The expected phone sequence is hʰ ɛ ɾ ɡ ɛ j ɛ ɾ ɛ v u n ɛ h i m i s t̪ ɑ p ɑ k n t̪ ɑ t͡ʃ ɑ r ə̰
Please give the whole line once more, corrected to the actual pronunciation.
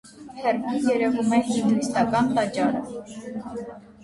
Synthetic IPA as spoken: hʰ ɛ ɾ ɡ i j ɛ ɾ ɛ v u m ɛ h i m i s t̪ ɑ k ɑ n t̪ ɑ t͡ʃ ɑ ɾ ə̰